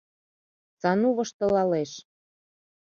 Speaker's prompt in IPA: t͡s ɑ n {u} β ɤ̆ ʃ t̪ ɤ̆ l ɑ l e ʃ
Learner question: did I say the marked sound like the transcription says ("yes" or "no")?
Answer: yes